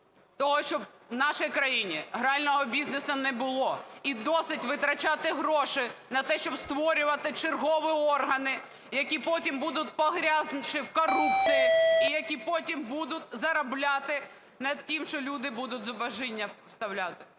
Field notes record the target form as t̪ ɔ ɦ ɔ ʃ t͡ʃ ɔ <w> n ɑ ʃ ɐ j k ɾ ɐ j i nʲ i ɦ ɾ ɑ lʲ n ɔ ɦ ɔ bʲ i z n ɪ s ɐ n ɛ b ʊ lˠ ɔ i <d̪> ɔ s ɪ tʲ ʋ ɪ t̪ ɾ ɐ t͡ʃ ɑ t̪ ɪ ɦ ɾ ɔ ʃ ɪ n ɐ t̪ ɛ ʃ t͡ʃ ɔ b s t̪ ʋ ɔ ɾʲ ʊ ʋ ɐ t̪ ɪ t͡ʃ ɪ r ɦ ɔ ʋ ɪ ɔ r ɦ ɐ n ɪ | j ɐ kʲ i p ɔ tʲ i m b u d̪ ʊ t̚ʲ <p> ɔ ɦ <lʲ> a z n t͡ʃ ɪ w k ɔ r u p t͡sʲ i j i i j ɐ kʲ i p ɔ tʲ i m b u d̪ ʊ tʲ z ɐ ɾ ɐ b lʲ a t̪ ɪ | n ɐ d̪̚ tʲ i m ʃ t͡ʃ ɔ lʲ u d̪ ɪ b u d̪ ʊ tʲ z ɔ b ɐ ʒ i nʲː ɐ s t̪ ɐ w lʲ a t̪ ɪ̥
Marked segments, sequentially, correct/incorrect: incorrect, correct, correct, incorrect

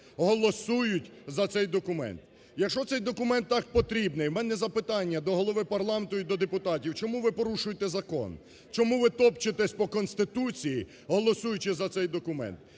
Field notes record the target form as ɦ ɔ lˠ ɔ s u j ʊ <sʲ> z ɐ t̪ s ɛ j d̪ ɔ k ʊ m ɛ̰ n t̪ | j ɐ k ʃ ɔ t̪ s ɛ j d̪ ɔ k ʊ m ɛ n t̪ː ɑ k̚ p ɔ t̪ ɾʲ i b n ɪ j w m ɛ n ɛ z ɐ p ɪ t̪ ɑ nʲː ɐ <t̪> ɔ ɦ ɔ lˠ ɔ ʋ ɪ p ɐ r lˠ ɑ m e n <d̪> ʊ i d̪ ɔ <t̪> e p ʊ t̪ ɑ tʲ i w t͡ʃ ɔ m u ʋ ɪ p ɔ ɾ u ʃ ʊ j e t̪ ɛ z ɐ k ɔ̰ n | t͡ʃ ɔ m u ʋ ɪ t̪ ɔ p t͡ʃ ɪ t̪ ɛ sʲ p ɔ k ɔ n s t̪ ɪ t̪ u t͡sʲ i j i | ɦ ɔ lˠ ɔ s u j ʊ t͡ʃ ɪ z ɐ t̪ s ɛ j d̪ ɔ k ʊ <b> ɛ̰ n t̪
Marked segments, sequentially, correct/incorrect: incorrect, incorrect, incorrect, incorrect, incorrect

